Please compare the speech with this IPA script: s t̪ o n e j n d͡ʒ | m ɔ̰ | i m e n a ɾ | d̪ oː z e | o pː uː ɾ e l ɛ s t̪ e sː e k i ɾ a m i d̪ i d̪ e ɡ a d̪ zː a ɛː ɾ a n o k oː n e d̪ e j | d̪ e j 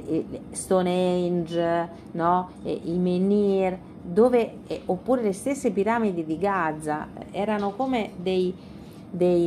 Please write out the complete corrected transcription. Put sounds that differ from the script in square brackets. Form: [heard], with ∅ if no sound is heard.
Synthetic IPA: s t̪ o n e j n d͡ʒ | [n] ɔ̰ | i m e n [i] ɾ | d̪ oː [v] e | o pː uː ɾ e l [e] s t̪ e sː e [p] i ɾ a m i d̪ i d̪ [i] ɡ a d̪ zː a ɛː ɾ a n o k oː [m] e d̪ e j | d̪ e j